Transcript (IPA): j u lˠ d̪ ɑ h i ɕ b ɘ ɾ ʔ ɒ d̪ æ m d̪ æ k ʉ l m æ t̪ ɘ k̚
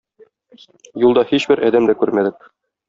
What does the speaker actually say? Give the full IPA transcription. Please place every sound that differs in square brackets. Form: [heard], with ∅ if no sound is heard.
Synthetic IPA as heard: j u lˠ d̪ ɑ h i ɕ b ɘ ɾ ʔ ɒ d̪ æ m d̪ æ k ʉ [ɾ] m æ [d̪] ɘ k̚